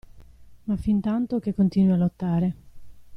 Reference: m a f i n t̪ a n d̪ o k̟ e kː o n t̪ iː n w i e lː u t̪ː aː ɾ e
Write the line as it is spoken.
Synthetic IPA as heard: m a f i n t̪ a n t̪ o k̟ e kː o n t̪ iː n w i a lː o t̪ː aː ɾ e